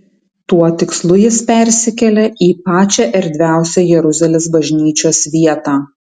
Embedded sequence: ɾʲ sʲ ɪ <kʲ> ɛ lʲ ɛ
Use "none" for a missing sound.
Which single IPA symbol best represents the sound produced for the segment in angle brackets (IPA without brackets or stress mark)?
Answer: kʲ